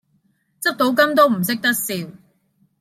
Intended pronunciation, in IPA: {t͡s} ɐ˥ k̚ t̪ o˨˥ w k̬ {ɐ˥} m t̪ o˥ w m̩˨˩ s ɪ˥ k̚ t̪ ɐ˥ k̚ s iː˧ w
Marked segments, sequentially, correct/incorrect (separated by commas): correct, correct